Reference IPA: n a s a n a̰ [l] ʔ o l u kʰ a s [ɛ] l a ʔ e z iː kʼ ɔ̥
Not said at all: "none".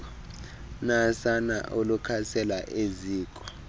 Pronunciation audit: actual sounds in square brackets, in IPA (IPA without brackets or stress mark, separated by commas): none, ɛ